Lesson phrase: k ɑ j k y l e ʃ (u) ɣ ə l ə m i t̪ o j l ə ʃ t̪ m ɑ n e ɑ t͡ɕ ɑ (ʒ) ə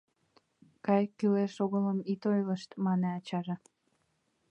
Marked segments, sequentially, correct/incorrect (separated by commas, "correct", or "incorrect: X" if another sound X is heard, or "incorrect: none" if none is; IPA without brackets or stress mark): incorrect: o, correct